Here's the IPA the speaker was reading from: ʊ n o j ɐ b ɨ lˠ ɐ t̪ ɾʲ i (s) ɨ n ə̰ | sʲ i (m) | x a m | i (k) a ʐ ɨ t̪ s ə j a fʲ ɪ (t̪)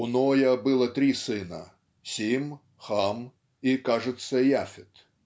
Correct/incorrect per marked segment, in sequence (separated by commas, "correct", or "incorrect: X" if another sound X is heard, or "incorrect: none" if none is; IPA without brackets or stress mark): correct, correct, correct, correct